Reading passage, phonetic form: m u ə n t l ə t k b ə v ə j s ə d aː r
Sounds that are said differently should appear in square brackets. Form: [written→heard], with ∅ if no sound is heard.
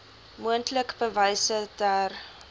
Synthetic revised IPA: m u ə n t l ə [t→∅] k b ə v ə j s ə d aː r